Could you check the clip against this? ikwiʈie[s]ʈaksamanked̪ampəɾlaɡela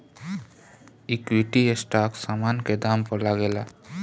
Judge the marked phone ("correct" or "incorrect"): correct